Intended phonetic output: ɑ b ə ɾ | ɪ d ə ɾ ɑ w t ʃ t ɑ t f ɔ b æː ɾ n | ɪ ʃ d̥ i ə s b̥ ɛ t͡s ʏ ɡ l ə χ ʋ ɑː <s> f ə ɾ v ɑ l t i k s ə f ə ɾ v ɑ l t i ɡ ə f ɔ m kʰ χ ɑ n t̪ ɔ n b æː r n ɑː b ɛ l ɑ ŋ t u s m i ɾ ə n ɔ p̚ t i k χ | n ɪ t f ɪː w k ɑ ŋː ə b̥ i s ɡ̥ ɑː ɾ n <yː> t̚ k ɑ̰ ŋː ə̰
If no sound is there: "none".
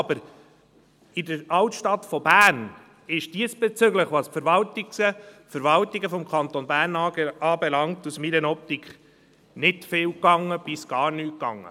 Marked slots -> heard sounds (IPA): s, yː

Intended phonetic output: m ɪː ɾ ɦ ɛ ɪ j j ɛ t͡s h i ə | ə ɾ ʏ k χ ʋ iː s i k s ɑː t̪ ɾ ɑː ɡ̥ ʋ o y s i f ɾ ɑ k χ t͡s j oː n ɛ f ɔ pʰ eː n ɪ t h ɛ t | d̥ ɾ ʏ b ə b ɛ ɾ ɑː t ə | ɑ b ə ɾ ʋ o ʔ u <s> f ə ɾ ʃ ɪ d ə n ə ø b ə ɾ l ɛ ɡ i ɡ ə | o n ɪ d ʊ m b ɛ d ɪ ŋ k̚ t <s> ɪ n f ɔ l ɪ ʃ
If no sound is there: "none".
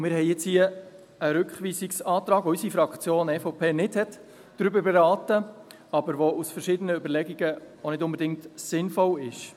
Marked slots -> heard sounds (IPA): s, s

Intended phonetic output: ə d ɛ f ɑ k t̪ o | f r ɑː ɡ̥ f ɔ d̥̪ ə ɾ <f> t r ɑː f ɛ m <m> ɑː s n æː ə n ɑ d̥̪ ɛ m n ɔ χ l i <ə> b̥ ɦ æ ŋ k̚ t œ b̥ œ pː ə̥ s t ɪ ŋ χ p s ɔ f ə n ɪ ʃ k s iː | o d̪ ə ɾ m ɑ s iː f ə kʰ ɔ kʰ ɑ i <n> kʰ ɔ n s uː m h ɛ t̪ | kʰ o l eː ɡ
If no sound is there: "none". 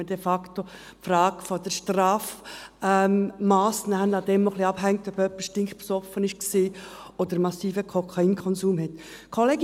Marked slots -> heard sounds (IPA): ʃ, m, ɑ, n

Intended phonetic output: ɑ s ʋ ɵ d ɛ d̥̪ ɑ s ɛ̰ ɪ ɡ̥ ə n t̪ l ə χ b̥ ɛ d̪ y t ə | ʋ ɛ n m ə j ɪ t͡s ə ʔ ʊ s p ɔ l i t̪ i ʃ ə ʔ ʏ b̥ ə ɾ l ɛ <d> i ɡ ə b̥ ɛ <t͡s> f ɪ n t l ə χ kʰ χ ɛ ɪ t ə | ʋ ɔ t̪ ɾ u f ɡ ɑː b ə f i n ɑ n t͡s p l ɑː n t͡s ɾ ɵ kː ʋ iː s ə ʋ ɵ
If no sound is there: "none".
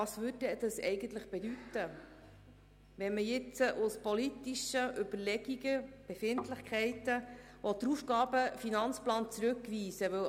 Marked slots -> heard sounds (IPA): ɡ, none

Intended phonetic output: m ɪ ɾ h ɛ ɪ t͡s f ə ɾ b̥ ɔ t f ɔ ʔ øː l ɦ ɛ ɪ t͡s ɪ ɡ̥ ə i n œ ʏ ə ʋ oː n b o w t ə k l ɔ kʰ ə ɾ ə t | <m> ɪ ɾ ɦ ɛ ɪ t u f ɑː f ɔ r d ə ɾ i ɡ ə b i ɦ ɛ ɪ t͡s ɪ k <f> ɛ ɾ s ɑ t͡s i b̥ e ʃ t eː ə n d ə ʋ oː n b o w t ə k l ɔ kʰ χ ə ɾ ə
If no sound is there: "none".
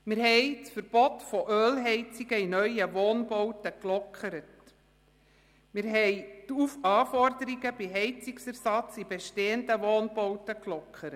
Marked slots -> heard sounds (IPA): m, s

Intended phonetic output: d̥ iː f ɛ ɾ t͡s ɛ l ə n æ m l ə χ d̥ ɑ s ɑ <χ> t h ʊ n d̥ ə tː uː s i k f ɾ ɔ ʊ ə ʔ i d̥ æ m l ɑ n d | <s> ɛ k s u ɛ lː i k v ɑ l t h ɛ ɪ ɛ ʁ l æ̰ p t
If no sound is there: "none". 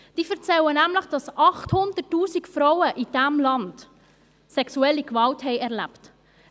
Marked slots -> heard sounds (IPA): χ, s

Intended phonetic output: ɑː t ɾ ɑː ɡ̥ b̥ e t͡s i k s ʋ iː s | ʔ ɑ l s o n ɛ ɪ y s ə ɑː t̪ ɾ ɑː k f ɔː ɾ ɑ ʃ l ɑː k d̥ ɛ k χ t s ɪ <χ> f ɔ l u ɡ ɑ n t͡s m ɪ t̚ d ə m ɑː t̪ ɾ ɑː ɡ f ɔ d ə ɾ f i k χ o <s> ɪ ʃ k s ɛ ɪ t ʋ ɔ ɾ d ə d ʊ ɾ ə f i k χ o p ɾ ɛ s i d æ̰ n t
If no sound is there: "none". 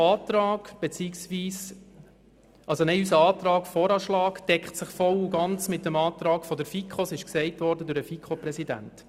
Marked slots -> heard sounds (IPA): χ, s

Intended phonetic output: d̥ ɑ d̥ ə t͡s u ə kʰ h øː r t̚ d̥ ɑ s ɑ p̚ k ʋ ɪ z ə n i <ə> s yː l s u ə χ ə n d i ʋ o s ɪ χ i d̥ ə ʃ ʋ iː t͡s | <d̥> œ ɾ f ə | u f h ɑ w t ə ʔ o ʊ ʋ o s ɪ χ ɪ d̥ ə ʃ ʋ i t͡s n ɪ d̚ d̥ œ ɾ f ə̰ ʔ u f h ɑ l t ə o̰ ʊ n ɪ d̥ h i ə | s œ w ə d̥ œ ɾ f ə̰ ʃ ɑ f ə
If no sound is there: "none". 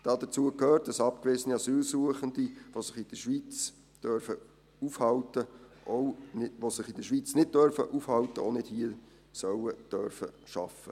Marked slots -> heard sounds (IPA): ɑ, d̥

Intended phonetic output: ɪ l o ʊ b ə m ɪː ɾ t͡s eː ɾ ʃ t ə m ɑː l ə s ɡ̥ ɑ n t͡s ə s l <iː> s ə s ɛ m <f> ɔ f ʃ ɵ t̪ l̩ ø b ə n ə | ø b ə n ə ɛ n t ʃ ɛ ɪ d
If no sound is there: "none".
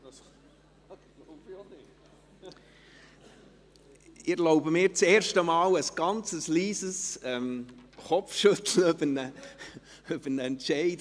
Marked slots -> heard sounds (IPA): iː, χ

